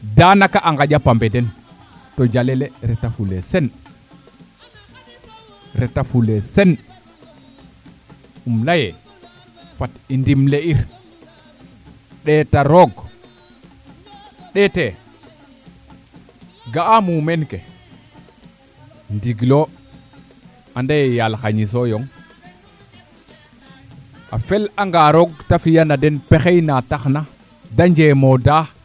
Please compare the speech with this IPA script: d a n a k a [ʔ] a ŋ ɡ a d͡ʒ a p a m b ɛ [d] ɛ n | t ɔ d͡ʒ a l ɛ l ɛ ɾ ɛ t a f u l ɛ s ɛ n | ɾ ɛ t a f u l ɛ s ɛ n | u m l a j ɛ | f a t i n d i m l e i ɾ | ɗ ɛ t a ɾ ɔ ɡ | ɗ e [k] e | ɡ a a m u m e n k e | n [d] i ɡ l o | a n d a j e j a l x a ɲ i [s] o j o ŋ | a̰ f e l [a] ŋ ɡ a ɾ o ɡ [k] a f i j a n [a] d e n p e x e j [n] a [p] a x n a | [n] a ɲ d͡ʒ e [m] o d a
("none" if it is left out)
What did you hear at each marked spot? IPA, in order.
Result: ʔ, d, t, d, s, a, t, a, n, t, d, m

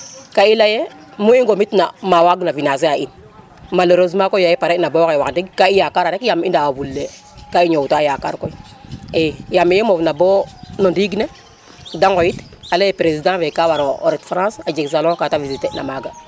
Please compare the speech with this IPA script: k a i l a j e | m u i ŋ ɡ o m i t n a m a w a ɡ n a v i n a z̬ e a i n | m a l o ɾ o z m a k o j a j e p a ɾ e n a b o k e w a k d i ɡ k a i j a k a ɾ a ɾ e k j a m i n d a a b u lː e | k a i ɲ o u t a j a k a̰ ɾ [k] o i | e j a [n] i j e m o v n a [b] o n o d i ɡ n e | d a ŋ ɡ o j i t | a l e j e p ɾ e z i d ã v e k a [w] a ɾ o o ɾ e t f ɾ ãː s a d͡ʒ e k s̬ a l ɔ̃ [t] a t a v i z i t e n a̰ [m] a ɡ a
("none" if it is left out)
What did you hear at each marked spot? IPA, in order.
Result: k, m, b, w, k, m

